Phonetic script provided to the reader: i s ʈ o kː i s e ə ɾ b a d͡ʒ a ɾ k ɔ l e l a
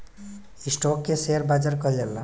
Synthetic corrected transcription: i s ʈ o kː e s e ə ɾ b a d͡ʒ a ɾ k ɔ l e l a